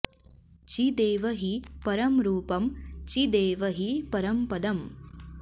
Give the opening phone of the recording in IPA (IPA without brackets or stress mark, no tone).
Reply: t͡ʃ